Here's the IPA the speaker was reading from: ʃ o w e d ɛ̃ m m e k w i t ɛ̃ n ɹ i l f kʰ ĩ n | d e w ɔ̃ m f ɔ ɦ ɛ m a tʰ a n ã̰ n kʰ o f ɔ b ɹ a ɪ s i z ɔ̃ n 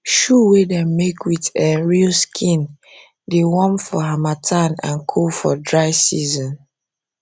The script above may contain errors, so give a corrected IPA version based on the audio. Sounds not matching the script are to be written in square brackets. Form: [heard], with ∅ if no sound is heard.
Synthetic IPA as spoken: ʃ [u] w e d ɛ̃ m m e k w i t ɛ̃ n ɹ i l [s] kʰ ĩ n | d e w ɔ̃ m f ɔ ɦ [a] m a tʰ a n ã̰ n kʰ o f ɔ [d] ɹ a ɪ s i z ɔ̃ n